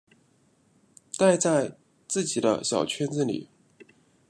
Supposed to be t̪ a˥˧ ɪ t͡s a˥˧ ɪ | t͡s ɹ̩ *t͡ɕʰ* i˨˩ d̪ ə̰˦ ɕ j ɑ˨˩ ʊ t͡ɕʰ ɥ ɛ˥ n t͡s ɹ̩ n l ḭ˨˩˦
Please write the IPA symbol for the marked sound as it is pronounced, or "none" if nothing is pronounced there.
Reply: t͡ɕ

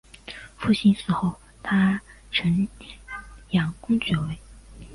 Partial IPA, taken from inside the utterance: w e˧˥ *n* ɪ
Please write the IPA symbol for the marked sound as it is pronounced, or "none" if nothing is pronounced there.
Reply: none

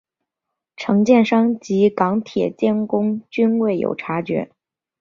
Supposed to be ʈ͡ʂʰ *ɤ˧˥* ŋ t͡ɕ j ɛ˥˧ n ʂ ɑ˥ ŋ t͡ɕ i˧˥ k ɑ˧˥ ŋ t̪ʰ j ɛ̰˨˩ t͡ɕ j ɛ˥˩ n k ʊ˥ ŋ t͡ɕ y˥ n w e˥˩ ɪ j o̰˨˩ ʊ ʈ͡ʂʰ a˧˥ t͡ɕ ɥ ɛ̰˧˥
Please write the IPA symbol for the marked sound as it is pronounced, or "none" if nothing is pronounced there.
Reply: ɤ˧˥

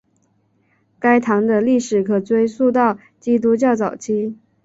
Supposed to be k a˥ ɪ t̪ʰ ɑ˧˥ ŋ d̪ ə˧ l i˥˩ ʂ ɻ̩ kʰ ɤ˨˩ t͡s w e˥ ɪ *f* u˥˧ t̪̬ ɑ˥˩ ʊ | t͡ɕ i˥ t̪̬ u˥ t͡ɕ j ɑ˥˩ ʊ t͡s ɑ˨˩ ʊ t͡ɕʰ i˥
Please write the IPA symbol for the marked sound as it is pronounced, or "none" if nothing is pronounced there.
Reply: s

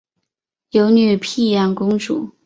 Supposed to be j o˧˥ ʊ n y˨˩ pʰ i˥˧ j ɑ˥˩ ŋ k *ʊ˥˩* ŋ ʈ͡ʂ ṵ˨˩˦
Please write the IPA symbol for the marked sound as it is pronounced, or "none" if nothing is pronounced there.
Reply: ʊ˥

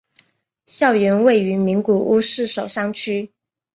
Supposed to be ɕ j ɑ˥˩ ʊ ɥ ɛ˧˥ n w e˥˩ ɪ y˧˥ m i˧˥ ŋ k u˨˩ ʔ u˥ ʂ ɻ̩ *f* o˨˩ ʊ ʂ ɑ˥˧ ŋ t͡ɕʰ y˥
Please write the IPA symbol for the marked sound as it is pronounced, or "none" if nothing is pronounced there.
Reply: ʂ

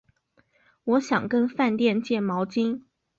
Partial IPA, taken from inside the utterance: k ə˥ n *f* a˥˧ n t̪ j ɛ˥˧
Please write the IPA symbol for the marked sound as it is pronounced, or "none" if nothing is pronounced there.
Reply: f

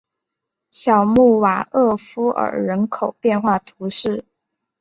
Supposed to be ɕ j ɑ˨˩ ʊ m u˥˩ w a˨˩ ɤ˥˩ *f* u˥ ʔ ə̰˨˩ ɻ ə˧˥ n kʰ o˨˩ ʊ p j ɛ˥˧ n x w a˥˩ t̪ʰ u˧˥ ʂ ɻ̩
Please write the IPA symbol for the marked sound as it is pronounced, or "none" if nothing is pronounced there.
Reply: f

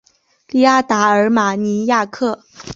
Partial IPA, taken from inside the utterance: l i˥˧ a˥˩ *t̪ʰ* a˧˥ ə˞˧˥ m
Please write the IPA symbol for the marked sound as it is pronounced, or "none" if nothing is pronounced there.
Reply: t̪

